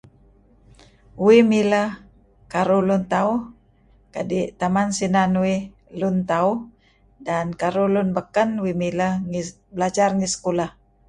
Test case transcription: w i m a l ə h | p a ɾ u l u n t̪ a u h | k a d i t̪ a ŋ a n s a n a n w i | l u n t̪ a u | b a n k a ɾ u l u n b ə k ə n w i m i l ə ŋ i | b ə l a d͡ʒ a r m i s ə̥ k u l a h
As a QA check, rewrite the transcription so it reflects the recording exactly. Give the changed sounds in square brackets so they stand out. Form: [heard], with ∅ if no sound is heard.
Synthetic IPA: w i m [i] l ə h | [k] a ɾ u l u n t̪ a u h | k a d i t̪ a [m] a n s [i] n a n w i | l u n t̪ a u | [d] a n k a ɾ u l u n b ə k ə n w i m i l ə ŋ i | b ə l a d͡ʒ a r [ŋ] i s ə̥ k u l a h